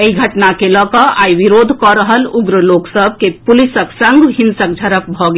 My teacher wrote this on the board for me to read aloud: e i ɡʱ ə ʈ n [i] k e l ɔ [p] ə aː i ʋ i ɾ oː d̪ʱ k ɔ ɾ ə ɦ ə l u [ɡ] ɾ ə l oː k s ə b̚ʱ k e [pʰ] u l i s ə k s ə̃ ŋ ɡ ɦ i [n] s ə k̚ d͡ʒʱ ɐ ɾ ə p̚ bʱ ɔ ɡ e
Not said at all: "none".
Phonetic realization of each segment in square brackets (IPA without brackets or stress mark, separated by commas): a, k, ɡ, p, n